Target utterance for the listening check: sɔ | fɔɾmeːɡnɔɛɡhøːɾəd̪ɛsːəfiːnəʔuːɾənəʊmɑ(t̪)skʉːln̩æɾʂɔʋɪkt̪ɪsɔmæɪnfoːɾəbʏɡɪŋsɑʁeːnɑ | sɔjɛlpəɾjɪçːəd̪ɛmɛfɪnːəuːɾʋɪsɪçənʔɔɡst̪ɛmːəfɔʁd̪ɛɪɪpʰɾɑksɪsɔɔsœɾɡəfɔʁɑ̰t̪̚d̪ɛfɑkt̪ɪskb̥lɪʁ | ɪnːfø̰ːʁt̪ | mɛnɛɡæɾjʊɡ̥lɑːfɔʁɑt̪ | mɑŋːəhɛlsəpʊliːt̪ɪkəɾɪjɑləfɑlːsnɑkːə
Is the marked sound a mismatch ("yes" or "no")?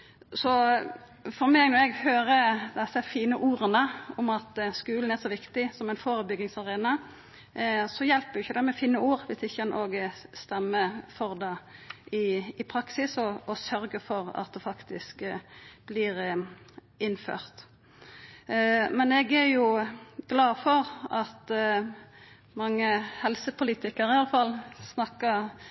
no